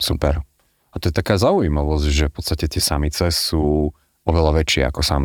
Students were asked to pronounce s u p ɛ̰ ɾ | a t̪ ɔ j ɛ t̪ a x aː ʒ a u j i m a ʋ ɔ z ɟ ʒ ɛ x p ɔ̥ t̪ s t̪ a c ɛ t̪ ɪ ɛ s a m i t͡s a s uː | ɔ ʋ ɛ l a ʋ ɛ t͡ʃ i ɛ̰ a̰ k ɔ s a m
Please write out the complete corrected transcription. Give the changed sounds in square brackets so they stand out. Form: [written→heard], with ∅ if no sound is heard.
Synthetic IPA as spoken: s u p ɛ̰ ɾ | a t̪ ɔ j ɛ t̪ a [x→k] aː [ʒ→z] a u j i m a ʋ ɔ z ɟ ʒ ɛ [x→f] p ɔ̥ t̪ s t̪ a c ɛ t̪ ɪ ɛ s a m i t͡s [a→ɛ] s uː | ɔ ʋ ɛ l a ʋ ɛ t͡ʃ [i→ɪ] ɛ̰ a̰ k ɔ s a m